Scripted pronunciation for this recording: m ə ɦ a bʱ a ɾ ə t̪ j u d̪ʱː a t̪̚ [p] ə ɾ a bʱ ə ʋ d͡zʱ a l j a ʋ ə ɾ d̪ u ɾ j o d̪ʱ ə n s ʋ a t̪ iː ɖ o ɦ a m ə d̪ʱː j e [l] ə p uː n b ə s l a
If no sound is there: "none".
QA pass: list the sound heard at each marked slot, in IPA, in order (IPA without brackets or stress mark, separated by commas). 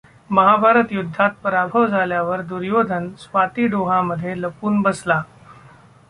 p, l